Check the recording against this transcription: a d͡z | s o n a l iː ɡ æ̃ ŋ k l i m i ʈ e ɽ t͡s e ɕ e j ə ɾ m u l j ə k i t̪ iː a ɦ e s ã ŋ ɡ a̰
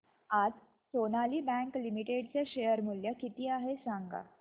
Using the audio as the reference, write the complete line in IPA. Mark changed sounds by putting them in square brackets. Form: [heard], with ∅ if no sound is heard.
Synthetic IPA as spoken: a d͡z | s o n a l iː [b] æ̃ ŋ k l i m i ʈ e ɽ t͡s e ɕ e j ə ɾ m u l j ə k i t̪ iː a ɦ e s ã ŋ ɡ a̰